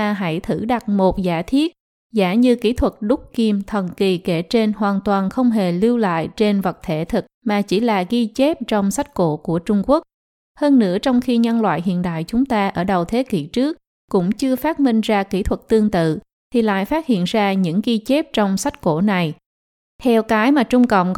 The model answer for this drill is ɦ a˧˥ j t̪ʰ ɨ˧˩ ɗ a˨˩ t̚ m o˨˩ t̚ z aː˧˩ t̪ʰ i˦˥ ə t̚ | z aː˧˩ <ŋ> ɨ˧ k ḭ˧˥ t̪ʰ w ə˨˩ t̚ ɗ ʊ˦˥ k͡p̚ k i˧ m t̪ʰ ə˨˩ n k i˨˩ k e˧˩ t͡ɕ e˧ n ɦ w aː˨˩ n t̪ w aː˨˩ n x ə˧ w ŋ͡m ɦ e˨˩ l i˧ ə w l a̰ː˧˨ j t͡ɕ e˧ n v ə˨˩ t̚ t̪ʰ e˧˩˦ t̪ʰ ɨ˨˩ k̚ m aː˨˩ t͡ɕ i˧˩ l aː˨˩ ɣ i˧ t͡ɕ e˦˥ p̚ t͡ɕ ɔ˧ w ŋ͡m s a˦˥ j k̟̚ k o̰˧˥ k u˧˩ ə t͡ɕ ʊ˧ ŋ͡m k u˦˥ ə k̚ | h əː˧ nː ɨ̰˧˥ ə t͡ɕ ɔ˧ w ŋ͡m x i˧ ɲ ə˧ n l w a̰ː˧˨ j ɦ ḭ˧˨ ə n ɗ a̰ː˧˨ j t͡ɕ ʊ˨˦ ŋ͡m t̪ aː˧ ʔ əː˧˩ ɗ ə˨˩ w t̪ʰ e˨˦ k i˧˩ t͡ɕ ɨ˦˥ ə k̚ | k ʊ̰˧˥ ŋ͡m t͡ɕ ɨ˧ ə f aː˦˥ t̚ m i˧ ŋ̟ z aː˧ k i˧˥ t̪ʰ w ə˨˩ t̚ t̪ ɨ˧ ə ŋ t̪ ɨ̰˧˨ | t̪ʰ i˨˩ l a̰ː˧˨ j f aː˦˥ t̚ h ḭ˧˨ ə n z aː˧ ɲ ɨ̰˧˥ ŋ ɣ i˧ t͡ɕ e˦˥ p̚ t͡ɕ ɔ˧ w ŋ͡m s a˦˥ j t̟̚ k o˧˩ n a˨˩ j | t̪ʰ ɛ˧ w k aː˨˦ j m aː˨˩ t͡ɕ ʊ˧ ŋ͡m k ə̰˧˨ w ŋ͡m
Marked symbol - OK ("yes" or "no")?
no